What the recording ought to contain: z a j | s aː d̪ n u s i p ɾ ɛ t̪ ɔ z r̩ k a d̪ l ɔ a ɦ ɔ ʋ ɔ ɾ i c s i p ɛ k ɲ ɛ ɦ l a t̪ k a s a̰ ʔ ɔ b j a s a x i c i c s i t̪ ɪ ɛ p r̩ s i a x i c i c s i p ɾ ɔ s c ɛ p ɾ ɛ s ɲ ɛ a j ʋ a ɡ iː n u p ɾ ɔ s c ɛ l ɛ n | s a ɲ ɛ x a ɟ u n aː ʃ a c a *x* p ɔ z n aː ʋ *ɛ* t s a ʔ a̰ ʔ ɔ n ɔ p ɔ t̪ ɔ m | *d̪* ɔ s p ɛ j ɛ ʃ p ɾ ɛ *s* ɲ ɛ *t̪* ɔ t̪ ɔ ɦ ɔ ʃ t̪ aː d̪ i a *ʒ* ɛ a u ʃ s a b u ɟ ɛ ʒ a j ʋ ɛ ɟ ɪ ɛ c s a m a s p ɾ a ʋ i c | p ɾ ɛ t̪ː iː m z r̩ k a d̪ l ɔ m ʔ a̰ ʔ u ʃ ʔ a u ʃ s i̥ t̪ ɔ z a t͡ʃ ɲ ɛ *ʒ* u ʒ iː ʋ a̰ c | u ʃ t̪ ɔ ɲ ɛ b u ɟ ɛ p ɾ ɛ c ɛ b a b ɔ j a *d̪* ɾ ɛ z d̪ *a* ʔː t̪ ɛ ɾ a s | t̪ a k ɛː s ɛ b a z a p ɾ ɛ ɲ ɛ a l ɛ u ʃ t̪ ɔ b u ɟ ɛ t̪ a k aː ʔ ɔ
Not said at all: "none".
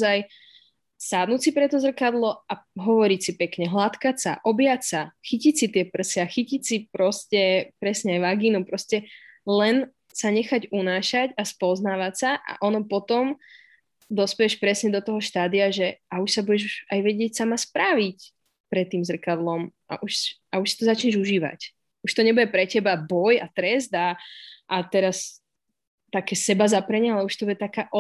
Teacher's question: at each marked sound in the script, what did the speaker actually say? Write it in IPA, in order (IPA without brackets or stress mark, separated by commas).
s, a, d̪, s, d̪, ʒ, ʒ, t̪, a